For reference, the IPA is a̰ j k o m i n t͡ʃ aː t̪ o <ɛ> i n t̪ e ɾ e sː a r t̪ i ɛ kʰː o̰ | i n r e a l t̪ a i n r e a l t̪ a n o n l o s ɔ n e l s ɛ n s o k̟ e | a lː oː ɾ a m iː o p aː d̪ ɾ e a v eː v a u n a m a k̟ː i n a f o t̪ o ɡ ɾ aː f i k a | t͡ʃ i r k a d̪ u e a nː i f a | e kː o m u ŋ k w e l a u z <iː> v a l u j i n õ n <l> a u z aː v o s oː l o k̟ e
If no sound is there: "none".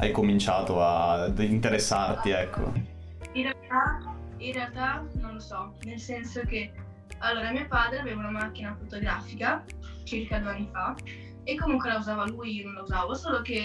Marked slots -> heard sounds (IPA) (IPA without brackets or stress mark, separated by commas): a, aː, l